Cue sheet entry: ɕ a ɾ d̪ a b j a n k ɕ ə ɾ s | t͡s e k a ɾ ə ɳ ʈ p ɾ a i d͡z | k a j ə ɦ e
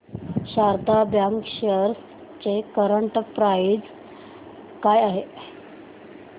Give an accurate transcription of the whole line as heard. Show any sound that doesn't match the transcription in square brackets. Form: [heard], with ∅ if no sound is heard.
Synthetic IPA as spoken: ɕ a ɾ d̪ a b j a [ŋ] k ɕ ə ɾ s | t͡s e k [ə] ɾ ə ɳ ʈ p ɾ a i d͡z | k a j [a] ɦ e